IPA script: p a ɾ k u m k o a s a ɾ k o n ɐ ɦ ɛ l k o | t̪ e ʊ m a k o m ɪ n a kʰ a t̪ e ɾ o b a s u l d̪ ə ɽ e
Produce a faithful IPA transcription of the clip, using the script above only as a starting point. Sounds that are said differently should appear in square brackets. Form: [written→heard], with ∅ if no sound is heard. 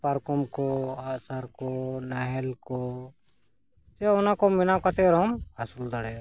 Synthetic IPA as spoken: p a ɾ k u m k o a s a ɾ k o n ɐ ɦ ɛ l k o | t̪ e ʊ [m→n] a k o m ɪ n a [kʰ→k] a t̪ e ɾ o [b→m] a s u l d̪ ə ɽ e